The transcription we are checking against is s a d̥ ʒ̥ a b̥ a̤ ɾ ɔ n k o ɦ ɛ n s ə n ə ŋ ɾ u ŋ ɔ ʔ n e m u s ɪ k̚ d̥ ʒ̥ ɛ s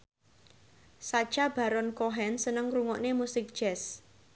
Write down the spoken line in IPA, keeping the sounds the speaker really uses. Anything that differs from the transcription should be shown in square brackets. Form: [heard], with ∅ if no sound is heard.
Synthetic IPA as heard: s a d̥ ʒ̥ a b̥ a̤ ɾ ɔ n k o ɦ ɛ n s ə n ə ŋ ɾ u ŋ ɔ ʔ n e m u s ɪ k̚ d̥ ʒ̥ ɛ s